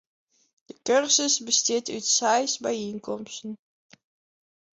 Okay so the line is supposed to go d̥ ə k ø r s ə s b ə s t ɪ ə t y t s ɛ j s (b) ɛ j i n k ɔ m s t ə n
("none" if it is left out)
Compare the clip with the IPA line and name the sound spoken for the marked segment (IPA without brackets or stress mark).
b